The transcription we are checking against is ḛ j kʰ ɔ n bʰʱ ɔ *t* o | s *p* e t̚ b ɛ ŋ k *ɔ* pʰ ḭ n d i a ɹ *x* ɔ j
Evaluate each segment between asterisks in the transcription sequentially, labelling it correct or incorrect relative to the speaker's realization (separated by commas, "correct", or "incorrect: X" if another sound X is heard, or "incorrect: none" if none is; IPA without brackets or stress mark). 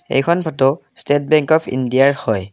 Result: correct, incorrect: t, correct, incorrect: h